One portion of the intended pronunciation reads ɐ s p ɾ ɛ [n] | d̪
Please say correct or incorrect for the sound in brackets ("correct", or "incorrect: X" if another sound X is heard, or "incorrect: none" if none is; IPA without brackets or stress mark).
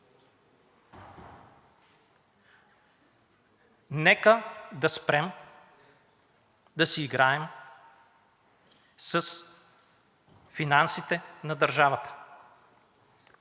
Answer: incorrect: m